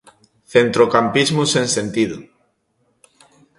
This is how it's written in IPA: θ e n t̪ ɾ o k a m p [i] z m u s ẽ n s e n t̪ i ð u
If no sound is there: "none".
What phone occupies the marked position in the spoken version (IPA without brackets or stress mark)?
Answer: i